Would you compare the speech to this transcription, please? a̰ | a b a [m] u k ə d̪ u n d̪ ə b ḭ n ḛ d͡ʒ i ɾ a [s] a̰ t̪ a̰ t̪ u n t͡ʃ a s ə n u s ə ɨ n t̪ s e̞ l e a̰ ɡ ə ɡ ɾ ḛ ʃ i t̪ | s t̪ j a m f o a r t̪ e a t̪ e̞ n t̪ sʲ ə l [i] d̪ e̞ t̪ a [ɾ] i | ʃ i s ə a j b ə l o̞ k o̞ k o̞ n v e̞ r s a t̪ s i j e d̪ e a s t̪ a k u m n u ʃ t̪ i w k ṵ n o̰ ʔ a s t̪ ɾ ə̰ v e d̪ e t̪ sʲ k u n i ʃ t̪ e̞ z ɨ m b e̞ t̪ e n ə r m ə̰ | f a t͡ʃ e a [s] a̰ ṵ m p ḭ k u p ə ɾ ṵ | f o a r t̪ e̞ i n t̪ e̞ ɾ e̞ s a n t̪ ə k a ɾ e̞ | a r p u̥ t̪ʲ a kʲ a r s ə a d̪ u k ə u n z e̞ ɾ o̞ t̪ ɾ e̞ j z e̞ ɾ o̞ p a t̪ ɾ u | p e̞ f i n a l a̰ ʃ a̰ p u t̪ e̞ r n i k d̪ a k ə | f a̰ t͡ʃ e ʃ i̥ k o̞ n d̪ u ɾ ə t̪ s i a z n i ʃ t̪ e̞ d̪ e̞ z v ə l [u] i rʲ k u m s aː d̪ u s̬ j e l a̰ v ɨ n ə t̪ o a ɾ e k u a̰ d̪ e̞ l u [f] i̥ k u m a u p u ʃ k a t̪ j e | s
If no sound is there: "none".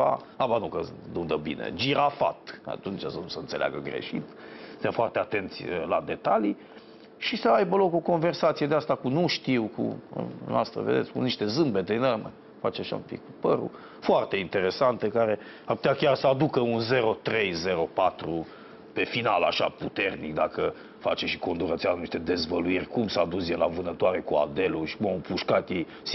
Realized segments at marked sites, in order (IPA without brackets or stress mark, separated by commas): n, f, a, l, ʃ, u, ʃ